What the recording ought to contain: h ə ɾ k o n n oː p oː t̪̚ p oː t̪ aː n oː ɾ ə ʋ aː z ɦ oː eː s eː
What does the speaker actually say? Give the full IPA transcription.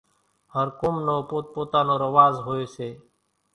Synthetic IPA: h ə ɾ k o m n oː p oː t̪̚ p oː t̪ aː n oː ɾ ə ʋ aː z ɦ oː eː s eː